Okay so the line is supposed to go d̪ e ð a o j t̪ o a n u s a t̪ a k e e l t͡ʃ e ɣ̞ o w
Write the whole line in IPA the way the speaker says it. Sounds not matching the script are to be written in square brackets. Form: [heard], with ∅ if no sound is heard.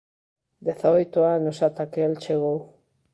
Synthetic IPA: d̪ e [θ] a o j t̪ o a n [o] s a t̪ a k e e l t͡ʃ e ɣ̞ o w